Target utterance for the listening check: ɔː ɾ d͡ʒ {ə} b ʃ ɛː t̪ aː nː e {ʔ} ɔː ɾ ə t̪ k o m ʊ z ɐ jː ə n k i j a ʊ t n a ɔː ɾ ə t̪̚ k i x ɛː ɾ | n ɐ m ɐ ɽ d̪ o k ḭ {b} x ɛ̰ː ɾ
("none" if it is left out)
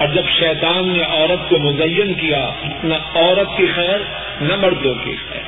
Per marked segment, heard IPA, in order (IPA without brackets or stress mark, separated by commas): ɐ, ʔ, none